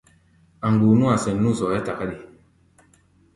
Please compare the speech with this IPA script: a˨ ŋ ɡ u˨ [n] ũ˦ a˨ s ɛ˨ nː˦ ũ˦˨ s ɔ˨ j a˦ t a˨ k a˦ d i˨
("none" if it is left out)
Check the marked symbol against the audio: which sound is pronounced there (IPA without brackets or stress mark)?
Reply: n